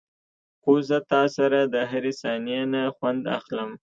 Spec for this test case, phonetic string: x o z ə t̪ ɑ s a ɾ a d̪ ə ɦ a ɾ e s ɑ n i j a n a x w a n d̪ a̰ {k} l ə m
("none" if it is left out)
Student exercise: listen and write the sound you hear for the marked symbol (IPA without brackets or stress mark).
x